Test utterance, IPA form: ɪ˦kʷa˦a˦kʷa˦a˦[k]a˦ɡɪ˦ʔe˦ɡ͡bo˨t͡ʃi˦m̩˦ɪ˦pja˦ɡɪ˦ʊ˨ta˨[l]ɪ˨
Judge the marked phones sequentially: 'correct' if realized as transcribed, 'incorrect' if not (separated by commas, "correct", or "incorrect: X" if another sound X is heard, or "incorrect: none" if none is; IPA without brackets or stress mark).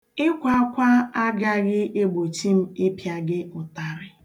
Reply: incorrect: ɡ, incorrect: ɾ